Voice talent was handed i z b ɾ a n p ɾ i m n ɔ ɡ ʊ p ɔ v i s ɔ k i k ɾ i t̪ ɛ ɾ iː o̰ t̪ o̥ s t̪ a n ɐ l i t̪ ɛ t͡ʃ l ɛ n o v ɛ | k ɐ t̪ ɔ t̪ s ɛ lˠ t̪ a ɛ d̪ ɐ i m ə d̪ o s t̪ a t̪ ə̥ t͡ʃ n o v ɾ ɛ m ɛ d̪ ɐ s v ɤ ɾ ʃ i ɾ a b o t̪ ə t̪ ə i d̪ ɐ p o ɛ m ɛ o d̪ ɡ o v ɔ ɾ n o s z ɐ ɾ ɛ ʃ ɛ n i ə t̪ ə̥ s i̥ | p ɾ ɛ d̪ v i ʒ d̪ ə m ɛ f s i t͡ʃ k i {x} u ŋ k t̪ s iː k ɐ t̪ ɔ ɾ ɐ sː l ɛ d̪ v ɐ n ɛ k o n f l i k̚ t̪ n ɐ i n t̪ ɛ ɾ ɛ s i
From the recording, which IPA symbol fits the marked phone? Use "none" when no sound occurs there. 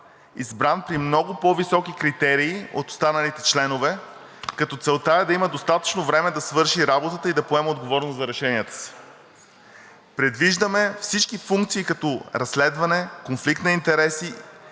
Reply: f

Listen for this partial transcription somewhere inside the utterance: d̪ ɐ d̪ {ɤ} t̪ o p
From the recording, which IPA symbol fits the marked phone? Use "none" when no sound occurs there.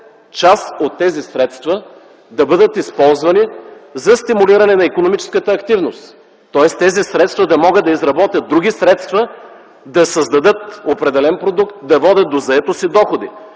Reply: ɤ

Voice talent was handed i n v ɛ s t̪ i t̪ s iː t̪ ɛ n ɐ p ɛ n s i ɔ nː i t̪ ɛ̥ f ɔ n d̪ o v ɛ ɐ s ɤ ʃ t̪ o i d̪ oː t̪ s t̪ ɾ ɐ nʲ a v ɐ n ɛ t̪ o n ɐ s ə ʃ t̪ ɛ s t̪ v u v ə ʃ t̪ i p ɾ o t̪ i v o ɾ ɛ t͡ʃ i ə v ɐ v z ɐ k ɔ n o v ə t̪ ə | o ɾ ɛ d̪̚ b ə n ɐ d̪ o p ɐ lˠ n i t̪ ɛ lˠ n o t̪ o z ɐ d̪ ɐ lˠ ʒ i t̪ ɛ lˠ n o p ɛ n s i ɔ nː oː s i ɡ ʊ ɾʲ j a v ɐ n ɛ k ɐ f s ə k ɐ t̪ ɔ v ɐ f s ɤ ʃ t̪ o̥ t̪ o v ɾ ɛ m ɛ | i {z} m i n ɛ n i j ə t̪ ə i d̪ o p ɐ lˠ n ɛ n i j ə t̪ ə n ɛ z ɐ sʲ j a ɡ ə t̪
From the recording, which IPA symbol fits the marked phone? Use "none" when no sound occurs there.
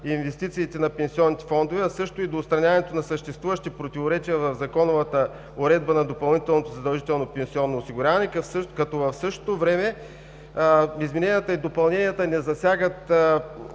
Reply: z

